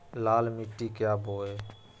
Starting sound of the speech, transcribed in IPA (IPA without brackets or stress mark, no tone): l